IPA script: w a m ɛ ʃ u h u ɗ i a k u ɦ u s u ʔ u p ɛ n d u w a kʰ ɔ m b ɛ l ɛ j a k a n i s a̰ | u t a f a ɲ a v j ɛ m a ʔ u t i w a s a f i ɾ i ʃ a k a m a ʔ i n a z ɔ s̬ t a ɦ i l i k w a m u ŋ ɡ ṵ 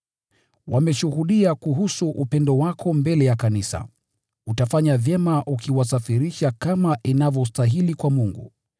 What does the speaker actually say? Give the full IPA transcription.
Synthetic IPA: w a m ɛ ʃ u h u ɗ i a k u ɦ u s u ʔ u p ɛ n d ɔ w a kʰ ɔ m b ɛ l ɛ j a k a n i s a̰ | u t a f a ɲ a v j ɛ m a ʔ u k i w a s a f i ɾ i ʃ a k a m a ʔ i n a v ɔ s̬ t a ɦ i l i k w a m u ŋ ɡ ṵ